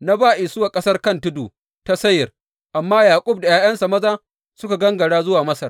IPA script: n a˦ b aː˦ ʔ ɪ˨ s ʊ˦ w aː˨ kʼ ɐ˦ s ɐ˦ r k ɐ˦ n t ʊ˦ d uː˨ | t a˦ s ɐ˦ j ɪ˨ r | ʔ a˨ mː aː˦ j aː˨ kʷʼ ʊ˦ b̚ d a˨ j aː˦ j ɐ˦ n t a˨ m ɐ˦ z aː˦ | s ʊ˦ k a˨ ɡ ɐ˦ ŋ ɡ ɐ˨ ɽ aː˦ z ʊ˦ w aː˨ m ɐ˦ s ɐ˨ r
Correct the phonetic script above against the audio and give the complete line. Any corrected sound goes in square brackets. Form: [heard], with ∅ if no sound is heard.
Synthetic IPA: n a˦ b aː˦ ʔ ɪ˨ s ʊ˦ w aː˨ kʼ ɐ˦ s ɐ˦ r k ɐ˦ n t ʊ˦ d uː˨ | t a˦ s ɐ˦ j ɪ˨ r | ʔ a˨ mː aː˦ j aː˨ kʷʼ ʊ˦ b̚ d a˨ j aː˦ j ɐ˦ n [s] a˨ m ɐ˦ z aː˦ | s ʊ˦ k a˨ ɡ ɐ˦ ŋ ɡ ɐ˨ ɽ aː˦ z ʊ˦ w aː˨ m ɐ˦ s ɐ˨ r